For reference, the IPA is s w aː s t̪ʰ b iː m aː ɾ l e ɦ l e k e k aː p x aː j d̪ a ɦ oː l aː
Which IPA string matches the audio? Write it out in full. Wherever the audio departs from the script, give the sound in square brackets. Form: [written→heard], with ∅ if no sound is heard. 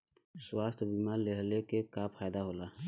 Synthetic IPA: s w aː s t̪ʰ b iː m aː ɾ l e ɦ l e k e k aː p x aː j d̪ a ɦ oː l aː